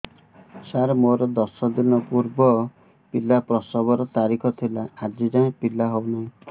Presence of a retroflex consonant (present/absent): absent